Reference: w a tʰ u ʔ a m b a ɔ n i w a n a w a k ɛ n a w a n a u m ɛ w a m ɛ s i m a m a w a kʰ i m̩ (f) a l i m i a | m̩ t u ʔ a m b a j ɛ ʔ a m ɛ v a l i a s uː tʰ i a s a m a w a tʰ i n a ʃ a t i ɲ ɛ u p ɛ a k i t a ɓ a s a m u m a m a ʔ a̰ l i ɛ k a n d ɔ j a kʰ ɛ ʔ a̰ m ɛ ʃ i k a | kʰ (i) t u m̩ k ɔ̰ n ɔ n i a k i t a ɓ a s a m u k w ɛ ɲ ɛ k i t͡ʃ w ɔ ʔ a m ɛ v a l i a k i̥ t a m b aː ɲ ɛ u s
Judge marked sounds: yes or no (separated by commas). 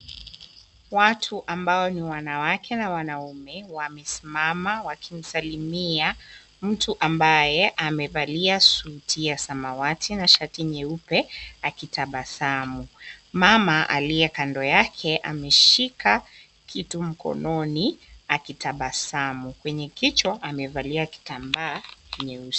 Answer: no, yes